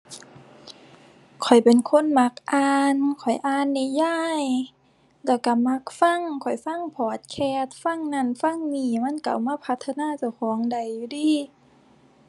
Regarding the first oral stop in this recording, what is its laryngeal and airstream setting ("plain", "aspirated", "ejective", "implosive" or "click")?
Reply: aspirated